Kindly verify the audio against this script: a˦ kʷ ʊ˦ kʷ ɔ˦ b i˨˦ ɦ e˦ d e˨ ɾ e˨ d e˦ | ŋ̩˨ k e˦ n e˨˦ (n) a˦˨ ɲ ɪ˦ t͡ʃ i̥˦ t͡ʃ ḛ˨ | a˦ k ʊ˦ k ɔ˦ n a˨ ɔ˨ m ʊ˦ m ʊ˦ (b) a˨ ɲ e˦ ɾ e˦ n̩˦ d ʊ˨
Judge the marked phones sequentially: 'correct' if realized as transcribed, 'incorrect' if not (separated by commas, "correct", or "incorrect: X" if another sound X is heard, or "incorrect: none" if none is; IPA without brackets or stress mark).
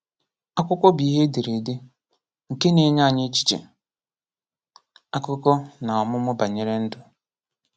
incorrect: ɲ, correct